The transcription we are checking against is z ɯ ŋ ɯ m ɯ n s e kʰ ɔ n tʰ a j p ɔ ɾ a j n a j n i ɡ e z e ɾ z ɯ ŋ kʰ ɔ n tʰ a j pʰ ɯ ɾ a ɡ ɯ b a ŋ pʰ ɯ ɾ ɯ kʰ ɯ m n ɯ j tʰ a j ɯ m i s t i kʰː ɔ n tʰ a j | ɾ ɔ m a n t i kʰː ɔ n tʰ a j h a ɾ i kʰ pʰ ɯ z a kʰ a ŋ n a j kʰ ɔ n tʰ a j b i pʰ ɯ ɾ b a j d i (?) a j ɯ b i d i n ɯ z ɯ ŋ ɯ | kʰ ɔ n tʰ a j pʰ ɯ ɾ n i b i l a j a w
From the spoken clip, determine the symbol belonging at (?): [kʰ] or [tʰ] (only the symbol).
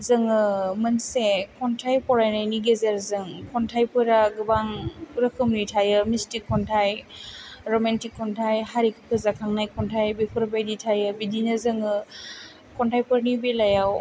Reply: tʰ